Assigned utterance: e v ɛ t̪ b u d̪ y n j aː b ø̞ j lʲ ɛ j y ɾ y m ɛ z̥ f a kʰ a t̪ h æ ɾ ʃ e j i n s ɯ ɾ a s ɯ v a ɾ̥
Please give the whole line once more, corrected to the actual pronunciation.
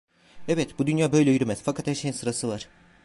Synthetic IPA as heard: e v ɛ t̪ b u d̪ y n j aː b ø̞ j lʲ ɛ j y ɾ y m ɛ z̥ f a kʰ a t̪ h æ ɾ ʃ e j i n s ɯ ɾ a s ɯ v a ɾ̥